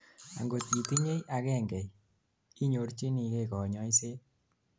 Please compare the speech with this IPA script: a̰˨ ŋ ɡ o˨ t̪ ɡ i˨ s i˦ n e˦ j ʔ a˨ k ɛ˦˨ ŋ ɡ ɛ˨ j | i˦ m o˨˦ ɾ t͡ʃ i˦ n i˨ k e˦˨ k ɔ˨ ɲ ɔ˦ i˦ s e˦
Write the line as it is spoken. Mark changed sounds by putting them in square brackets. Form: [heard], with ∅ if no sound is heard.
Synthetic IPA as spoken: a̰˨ ŋ ɡ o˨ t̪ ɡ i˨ [t] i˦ [ɲ] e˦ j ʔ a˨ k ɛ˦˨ ŋ ɡ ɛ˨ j | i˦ [ɲ] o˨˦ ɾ t͡ʃ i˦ n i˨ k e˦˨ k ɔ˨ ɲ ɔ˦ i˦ s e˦